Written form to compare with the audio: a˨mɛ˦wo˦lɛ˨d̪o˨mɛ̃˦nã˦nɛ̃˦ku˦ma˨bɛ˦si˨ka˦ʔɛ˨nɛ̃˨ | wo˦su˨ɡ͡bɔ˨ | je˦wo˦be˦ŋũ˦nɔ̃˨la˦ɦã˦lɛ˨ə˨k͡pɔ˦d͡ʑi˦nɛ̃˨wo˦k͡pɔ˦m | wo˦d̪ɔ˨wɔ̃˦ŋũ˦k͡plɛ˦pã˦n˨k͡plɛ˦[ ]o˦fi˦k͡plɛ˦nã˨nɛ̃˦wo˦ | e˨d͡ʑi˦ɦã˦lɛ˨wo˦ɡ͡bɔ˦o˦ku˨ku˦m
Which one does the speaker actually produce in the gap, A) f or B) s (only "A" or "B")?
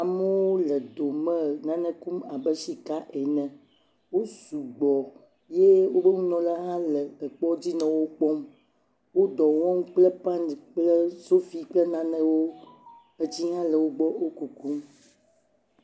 B